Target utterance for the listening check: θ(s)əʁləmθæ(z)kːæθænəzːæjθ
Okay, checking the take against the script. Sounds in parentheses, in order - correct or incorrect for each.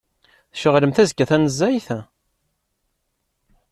incorrect, correct

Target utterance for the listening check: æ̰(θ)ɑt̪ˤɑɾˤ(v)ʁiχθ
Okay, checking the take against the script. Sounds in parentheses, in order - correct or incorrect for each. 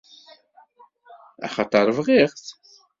incorrect, correct

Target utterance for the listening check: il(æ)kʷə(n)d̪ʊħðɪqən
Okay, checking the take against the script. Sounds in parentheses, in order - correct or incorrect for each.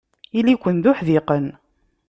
incorrect, correct

